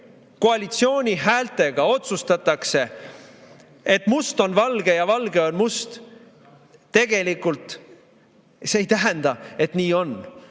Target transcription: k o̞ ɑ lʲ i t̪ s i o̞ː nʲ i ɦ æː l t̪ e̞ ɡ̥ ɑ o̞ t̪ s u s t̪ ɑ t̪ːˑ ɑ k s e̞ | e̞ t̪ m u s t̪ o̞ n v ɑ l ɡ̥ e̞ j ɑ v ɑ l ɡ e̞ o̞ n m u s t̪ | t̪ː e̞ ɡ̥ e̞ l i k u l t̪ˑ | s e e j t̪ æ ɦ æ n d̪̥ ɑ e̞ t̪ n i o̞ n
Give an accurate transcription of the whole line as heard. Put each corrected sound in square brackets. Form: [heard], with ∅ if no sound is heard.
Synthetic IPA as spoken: k o̞ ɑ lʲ i t̪ s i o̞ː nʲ i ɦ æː l t̪ e̞ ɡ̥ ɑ o̞ t̪ s u s t̪ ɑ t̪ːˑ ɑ k s e̞ | e̞ t̪ m u s t̪ o̞ n v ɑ l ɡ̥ e̞ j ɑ v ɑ l ɡ e̞ o̞ n m u s t̪ | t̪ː e̞ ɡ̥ e̞ l i k u l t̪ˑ | s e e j t̪ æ ɦ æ n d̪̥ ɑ e̞ t̪ n [iː] o̞ n